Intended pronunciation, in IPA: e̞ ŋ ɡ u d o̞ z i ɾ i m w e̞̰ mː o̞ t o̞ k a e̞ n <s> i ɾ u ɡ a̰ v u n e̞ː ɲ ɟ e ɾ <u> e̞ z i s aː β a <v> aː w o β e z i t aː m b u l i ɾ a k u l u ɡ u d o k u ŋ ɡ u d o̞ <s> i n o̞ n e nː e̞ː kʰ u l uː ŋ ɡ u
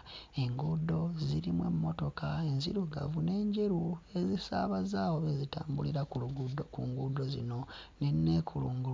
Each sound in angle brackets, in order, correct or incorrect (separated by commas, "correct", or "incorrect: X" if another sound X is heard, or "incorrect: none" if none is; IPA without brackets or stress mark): incorrect: z, correct, incorrect: z, incorrect: z